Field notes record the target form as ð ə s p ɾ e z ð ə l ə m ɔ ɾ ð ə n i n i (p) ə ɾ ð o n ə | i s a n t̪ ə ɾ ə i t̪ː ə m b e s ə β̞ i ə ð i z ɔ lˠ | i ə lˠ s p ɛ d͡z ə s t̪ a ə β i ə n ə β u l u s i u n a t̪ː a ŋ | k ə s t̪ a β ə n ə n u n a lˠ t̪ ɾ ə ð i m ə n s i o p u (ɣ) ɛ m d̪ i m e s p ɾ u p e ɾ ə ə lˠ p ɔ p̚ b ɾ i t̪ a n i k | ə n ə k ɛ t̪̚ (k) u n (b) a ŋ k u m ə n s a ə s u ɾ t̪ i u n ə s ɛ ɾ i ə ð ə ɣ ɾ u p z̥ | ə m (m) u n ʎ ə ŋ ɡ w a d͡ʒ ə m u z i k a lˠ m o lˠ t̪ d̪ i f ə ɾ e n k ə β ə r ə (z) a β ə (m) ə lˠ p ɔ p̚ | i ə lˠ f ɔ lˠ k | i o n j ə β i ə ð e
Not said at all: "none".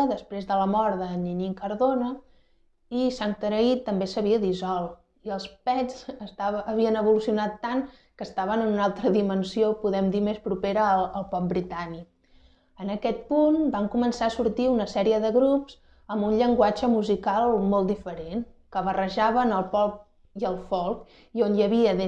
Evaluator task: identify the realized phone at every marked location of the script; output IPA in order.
k, ð, p, b, b, ʒ, n

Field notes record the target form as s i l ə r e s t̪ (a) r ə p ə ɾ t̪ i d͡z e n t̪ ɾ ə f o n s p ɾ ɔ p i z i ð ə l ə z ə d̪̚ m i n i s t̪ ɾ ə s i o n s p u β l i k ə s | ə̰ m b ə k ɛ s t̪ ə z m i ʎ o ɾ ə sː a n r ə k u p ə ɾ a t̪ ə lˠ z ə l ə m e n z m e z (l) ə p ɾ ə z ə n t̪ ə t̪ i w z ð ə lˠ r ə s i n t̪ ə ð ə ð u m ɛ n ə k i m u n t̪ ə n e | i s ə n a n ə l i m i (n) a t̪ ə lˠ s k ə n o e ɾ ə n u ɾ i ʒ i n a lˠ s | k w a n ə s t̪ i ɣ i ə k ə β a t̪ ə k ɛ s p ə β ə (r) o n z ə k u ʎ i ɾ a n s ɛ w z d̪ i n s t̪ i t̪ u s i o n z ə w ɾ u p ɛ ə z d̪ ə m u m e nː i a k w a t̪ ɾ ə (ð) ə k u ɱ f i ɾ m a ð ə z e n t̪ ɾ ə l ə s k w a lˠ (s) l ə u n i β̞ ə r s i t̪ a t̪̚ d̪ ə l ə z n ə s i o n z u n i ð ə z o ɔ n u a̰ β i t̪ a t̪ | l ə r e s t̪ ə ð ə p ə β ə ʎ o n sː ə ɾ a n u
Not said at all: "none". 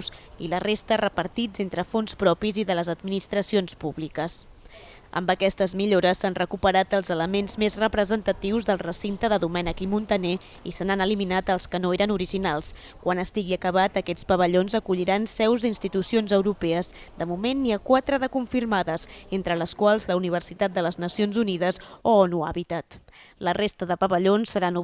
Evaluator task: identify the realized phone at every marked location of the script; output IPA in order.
ə, r, n, ʎ, ð, z

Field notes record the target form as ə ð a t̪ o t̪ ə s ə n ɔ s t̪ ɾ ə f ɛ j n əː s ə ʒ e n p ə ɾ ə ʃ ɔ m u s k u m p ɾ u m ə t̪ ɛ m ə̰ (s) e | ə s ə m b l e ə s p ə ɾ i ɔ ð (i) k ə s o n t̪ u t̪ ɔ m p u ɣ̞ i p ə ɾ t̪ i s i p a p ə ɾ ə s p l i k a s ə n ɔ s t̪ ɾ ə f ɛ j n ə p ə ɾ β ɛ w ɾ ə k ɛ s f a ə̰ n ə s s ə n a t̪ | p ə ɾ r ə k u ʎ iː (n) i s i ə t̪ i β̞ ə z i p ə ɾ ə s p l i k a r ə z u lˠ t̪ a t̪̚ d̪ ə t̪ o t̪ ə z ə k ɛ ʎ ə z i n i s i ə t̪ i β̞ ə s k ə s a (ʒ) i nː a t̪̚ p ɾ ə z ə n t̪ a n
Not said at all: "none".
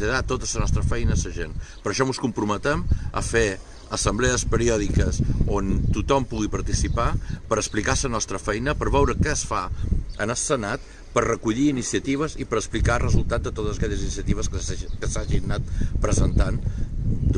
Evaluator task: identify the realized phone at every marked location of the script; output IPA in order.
f, i, n, ʒ

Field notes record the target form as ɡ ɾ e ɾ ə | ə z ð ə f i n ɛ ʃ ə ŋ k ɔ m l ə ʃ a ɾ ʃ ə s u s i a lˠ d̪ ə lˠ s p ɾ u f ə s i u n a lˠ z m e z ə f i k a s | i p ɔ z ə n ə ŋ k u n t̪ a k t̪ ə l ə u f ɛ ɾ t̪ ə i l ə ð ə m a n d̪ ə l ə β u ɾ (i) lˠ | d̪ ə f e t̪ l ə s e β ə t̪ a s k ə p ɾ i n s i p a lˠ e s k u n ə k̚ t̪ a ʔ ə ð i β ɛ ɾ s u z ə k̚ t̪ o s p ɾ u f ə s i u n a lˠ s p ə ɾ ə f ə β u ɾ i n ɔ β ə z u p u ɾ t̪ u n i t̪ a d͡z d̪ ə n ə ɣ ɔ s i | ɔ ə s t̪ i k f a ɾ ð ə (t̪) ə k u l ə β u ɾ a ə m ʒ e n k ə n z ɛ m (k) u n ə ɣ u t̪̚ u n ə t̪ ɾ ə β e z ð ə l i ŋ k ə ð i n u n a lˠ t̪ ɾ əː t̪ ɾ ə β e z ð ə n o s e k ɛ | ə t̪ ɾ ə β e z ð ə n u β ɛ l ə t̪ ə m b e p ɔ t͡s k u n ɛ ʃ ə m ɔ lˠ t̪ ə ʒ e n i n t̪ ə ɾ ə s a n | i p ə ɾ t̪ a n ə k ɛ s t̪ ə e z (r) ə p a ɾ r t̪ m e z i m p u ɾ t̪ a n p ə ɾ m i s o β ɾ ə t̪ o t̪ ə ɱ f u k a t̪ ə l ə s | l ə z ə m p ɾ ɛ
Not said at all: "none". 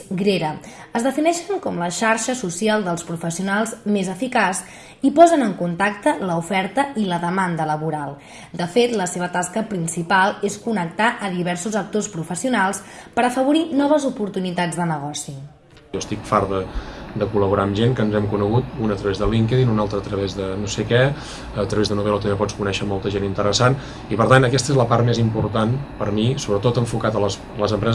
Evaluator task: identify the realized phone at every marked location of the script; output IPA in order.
a, d̪, k, l

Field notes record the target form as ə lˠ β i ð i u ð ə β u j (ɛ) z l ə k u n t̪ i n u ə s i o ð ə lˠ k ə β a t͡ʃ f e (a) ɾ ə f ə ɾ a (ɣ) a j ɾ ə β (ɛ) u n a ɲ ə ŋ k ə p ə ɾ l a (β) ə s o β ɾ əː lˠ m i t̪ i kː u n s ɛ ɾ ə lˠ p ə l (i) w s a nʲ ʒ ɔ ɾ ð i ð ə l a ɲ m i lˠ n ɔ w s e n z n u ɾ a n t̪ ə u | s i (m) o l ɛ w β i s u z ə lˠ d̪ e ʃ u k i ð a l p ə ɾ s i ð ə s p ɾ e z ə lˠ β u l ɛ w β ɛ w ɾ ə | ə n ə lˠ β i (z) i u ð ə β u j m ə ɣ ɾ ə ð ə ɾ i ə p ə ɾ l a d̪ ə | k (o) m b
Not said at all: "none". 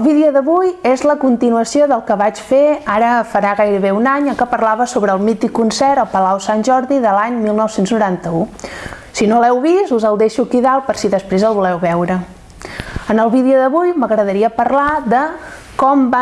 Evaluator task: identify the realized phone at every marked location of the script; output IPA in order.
e, a, ɣ, e, β, a, n, ð, ɔ

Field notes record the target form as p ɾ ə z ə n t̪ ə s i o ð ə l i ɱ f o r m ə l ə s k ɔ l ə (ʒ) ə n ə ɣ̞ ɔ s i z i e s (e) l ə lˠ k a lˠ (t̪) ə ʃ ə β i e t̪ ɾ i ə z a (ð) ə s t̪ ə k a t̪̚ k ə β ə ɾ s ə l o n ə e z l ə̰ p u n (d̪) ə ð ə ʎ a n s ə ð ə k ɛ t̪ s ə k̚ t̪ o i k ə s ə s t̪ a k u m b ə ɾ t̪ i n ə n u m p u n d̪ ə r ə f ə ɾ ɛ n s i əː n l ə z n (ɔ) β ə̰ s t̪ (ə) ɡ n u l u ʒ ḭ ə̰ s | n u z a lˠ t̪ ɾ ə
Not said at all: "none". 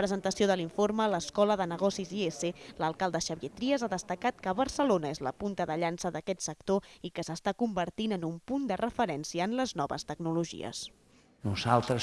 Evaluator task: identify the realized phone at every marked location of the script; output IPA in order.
ð, e, d̪, ð, t̪, ɔ, ə

